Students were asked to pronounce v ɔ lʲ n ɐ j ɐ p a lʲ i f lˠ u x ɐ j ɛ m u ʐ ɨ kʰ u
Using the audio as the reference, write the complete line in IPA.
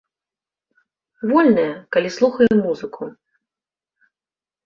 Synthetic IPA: v ɔ lʲ n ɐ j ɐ k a lʲ i s lˠ u x ɐ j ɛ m u z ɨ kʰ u